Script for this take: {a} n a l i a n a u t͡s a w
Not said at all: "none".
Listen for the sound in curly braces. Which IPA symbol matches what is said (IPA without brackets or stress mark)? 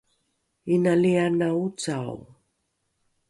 i